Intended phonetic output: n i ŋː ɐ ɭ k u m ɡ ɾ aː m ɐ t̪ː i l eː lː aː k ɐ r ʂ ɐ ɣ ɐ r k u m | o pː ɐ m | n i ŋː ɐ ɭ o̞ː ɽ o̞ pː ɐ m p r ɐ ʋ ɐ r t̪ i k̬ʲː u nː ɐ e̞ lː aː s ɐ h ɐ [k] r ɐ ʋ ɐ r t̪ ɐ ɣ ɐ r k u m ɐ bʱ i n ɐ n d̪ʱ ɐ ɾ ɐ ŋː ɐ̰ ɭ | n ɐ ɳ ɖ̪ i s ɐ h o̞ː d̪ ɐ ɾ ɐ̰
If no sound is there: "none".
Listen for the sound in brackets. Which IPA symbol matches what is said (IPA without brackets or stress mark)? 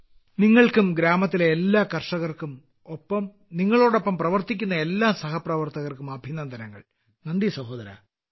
p